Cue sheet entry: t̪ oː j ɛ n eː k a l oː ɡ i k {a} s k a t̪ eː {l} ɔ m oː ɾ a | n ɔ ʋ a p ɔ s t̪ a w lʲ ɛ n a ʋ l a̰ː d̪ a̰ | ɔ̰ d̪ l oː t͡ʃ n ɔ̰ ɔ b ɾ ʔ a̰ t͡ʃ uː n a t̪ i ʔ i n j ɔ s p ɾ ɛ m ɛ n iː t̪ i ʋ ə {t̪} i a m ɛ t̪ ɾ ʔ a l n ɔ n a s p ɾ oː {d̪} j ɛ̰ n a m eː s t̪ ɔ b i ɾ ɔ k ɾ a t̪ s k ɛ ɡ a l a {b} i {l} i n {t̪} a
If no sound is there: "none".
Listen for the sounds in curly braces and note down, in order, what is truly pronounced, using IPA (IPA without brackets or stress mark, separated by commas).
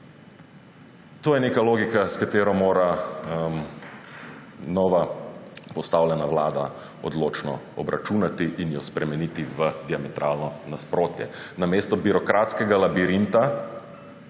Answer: a, ɾ, d̪, t̪, b, ɾ, t̪